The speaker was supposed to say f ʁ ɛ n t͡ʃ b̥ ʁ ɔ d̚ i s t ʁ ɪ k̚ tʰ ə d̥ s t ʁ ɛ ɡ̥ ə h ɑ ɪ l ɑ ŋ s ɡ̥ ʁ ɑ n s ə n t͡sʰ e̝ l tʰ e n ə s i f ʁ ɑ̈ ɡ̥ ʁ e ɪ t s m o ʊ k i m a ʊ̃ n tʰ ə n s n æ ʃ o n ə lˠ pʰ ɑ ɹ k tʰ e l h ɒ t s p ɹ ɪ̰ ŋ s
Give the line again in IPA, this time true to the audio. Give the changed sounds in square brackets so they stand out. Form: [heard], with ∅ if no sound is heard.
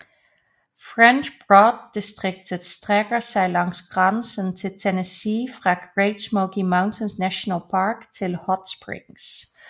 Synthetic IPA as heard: f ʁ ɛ n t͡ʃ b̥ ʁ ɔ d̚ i s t ʁ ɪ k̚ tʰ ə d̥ s t ʁ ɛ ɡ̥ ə [s] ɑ ɪ l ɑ ŋ s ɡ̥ ʁ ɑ n s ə n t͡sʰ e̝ l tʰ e n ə s i f ʁ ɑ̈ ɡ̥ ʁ e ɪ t s m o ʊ k i m a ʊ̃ n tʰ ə n s n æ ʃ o n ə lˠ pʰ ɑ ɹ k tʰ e l h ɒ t s p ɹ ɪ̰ ŋ s